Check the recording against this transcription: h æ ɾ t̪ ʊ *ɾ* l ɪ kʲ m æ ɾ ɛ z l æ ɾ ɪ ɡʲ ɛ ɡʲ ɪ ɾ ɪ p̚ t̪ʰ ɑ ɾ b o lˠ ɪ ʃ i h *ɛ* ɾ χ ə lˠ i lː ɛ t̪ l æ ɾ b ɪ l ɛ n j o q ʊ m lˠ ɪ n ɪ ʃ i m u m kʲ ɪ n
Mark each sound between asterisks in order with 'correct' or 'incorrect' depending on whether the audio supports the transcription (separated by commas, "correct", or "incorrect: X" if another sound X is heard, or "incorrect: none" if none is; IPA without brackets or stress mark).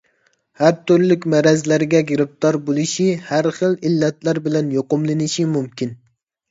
correct, incorrect: æ